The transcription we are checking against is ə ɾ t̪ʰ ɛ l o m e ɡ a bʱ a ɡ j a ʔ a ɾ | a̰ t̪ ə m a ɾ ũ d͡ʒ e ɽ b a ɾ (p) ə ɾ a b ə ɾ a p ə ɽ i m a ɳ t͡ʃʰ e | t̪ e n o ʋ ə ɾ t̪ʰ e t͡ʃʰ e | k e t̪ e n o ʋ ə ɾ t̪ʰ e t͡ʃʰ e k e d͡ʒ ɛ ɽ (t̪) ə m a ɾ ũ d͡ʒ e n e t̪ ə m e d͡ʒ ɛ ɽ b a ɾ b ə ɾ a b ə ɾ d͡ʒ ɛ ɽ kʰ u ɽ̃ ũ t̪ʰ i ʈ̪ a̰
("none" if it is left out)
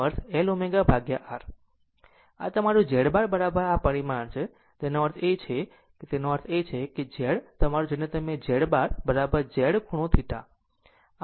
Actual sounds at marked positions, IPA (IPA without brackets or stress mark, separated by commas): b, t̪